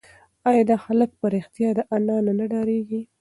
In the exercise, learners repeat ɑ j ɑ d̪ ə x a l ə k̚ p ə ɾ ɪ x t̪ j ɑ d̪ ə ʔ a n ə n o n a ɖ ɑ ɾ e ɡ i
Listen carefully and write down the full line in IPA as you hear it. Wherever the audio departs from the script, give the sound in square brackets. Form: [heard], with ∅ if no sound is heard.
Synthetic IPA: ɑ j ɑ d̪ [ɑ] x a l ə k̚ p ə ɾ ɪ x t̪ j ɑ d̪ ə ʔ a n [ɑ] n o n a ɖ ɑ ɾ e ɡ i